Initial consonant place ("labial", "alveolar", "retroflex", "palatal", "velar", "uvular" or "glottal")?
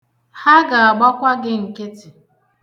glottal